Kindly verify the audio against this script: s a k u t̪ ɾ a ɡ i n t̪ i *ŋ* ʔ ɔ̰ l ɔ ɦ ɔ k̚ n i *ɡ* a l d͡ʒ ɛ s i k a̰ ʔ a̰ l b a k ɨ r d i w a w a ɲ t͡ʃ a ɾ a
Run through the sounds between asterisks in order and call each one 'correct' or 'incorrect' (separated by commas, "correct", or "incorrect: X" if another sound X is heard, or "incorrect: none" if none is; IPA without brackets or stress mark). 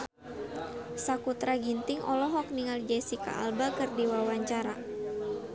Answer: correct, incorrect: ŋ